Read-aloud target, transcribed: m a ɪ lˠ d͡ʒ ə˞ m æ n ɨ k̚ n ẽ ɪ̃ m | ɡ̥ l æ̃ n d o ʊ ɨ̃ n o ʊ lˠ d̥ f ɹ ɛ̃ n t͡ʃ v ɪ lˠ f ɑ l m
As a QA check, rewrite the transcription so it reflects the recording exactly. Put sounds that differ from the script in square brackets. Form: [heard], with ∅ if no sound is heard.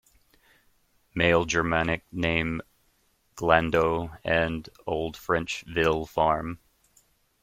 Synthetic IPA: m [e] ɪ lˠ d͡ʒ ə˞ m æ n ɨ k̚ n ẽ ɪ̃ m | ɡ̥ l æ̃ n d o ʊ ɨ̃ n o ʊ lˠ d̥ f ɹ ɛ̃ n t͡ʃ v ɪ lˠ f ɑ [ɹ] m